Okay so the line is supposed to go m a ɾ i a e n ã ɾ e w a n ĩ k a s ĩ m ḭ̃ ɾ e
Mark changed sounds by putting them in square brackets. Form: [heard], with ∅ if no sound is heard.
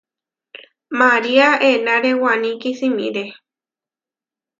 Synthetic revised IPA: m a ɾ i a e n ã ɾ e w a n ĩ k [i] s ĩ m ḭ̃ ɾ e